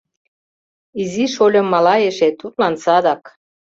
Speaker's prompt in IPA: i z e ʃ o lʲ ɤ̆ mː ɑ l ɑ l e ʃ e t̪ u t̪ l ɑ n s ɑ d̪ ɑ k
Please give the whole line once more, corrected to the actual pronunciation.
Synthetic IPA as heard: i z i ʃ o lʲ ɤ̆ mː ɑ l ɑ e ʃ e t̪ u t̪ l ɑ n s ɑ d̪ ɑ k